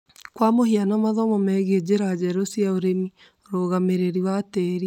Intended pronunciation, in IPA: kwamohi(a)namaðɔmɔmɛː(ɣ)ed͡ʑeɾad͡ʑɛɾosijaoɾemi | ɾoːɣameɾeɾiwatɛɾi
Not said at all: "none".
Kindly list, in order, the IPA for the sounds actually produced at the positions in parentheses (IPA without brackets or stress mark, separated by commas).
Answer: a, ɣ